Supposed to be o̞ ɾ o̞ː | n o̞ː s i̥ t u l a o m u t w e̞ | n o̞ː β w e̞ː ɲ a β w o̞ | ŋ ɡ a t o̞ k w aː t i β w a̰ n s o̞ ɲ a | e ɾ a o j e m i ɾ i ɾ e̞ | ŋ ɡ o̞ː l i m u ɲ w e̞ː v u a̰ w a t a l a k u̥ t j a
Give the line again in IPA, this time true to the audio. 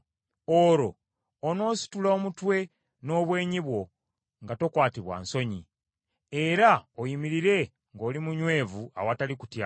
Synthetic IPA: o̞ ɾ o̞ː | n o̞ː s i̥ t u l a o m u t w e̞ | n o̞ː β w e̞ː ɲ i β w o̞ | ŋ ɡ a t o̞ k w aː t i β w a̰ n s o̞ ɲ i | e ɾ a o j i m i ɾ i ɾ e̞ | ŋ ɡ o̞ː l i m u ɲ w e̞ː v u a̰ w a t a l i k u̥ t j a